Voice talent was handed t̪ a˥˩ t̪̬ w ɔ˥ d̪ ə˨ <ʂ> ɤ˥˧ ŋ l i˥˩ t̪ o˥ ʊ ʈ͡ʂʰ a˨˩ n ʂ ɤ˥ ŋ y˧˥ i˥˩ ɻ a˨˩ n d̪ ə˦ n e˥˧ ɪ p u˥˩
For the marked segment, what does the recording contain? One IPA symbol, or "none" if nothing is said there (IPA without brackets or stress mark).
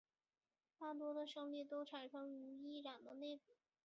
ʂ